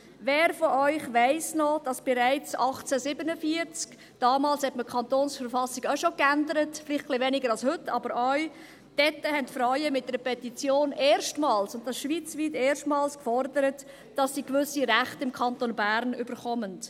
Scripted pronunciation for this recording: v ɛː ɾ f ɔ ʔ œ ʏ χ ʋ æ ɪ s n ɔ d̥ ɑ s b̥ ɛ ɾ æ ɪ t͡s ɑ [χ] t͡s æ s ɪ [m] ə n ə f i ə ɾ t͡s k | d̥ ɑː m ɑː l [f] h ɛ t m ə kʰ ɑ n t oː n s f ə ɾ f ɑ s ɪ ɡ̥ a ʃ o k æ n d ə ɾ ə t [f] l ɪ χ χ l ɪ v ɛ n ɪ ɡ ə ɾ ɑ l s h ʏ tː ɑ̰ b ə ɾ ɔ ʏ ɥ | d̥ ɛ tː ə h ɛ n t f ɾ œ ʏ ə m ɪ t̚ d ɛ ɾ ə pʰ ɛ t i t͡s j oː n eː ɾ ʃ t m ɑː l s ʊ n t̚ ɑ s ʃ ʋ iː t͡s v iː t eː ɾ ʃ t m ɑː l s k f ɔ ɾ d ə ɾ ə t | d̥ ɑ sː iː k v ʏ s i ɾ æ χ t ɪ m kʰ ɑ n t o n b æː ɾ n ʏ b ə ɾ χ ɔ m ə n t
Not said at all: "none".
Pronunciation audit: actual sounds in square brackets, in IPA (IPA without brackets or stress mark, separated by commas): χ, b, s, f